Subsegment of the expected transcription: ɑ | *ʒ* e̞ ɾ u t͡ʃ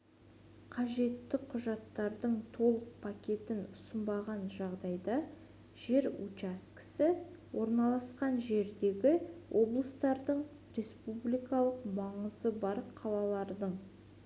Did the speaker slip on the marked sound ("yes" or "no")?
no